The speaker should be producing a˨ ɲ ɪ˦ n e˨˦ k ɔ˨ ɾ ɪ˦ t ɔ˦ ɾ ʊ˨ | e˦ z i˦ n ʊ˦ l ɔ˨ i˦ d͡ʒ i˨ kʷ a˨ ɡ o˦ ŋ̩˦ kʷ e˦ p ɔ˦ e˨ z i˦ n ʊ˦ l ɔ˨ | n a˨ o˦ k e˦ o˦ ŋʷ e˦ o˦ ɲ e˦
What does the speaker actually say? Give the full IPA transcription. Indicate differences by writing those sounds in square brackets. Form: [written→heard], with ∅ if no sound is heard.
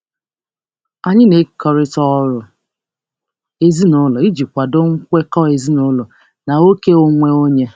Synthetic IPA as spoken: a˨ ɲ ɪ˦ n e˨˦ k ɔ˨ ɾ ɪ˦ t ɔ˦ ɾ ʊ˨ | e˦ z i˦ n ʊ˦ l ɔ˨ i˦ d͡ʒ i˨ kʷ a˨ [ɡ→d] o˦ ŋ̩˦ kʷ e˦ [p→k] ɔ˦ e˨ z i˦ n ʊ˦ l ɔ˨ | n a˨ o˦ k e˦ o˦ ŋʷ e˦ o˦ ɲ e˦